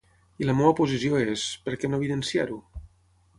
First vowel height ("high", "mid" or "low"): high